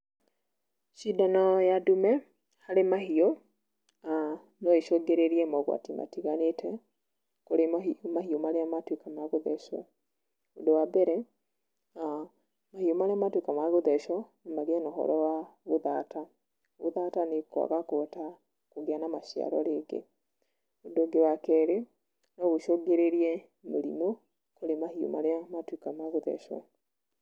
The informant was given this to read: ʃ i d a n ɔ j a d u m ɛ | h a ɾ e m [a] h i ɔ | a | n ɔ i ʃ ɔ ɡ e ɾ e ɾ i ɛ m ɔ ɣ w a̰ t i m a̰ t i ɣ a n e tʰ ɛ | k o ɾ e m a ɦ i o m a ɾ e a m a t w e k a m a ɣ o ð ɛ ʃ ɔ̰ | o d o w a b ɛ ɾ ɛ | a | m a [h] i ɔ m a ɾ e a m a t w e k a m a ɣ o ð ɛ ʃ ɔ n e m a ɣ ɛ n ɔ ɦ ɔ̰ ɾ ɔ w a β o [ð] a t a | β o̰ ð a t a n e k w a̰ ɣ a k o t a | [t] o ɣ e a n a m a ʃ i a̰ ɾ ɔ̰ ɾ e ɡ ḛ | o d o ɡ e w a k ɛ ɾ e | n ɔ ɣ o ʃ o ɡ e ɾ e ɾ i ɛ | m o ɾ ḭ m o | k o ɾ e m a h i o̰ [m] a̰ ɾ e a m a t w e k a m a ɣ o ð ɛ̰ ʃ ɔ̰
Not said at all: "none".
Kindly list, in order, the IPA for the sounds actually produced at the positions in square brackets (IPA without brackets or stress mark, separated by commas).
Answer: a, h, ð, k, m